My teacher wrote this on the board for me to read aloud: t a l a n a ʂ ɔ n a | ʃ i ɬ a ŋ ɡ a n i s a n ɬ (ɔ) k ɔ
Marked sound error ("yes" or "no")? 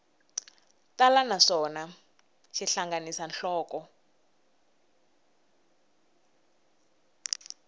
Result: yes